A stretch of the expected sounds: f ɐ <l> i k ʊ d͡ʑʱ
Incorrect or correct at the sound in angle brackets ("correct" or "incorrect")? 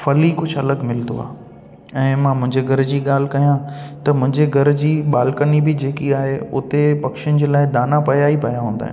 correct